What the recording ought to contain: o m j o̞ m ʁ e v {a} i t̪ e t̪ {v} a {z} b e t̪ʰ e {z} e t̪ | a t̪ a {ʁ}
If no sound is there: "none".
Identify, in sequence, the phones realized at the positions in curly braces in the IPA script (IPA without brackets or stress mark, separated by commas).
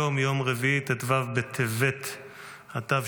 i, v, v, v, v